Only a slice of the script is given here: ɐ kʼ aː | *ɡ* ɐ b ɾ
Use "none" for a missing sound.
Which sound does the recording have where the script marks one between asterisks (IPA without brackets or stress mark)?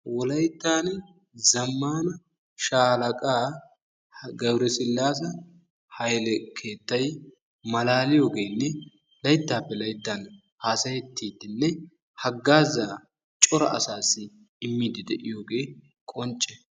ɡ